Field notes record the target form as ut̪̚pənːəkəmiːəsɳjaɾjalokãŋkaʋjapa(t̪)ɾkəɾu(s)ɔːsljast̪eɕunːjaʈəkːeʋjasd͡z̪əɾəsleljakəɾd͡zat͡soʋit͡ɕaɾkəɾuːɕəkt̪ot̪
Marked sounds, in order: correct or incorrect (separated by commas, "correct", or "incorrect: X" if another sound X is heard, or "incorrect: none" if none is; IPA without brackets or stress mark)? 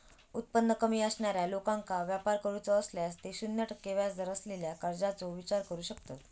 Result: incorrect: none, incorrect: t͡s